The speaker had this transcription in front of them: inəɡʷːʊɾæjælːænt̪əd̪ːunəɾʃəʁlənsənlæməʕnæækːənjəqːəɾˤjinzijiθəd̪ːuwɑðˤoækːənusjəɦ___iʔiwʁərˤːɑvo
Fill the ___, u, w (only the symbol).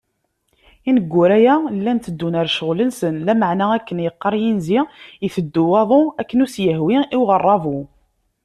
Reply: w